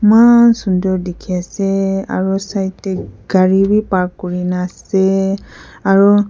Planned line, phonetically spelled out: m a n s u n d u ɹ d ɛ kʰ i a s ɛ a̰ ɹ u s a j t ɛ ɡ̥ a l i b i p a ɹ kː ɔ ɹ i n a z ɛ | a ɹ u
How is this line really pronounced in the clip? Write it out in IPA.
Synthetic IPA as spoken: m a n s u n d ɔ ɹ d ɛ kʰ i a s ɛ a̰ ɹ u s a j t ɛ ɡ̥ a ɹ i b i p a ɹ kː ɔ ɹ i n a s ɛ | a ɹ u